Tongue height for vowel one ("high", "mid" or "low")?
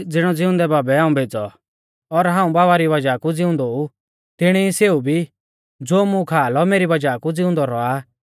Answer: high